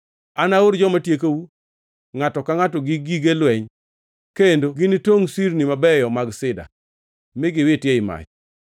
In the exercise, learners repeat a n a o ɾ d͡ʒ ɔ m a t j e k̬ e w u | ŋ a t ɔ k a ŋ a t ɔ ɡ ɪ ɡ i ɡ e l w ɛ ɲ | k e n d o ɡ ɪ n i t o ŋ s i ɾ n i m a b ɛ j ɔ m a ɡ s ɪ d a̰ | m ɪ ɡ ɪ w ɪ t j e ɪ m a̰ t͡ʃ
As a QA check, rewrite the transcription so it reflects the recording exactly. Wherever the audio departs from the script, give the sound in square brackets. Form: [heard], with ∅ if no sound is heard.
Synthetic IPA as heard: a n a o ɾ d͡ʒ ɔ m a t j e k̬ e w u | ŋ a t ɔ k a ŋ a t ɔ ɡ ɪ ɡ i ɡ e l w ɛ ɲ | k e n d o ɡ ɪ n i t o ŋ s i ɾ n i m a b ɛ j ɔ m a ɡ s ɪ d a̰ | m ɪ ɡ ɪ w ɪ t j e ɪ m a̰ t͡ʃ